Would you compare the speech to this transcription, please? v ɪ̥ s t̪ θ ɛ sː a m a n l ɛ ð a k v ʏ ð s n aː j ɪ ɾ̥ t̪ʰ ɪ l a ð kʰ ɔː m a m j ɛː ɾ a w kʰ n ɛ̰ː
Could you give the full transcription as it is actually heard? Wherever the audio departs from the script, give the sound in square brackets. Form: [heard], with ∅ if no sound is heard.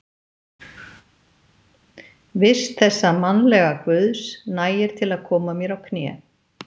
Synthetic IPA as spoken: v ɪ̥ s t̪ θ ɛ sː a m a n l ɛ [ɣ] a k v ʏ ð s n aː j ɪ ɾ̥ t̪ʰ ɪ l a ð kʰ ɔː m a m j [ɛ] ɾ a w kʰ n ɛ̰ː